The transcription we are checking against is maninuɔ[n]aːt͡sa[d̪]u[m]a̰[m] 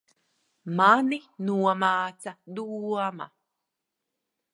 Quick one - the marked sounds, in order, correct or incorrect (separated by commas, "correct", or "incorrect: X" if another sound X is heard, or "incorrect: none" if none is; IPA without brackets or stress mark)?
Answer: incorrect: m, correct, correct, incorrect: none